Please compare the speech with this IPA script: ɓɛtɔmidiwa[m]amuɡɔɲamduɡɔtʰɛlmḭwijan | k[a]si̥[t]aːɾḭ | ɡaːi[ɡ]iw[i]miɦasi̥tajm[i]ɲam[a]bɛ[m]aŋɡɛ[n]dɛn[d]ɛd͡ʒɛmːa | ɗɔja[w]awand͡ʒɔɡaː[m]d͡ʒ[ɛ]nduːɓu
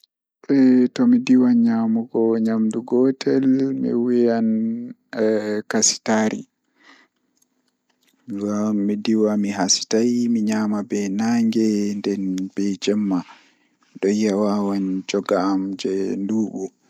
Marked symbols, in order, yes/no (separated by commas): no, yes, yes, no, no, yes, yes, no, yes, no, yes, yes, yes